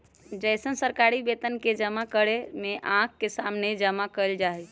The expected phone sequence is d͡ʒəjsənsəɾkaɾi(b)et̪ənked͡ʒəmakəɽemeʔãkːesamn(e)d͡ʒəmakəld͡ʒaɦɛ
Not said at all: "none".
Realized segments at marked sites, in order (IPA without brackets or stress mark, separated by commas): b, e